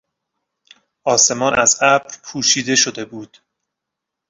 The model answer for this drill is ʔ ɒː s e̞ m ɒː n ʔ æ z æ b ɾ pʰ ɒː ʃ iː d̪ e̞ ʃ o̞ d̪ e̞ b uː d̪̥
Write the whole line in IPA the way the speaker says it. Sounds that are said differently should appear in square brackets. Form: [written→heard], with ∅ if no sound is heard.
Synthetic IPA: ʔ ɒː s e̞ m ɒː n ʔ æ z æ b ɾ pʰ [ɒː→uː] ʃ iː d̪ e̞ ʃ o̞ d̪ e̞ b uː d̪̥